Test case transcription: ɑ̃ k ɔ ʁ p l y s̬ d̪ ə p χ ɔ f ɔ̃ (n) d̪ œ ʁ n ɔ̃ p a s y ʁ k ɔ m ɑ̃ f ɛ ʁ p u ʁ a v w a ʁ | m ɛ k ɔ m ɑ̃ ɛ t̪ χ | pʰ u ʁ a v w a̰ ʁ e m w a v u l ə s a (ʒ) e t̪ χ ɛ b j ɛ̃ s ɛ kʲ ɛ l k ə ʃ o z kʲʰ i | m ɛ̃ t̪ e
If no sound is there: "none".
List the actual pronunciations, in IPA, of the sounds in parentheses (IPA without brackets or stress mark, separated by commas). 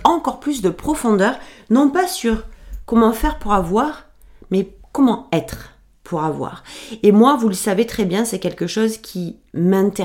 none, v